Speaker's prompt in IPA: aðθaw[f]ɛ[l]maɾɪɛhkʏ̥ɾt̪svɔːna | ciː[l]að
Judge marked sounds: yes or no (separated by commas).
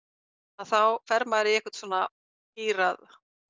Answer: yes, no, no